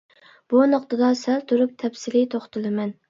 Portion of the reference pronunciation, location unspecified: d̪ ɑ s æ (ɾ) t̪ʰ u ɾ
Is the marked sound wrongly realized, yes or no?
yes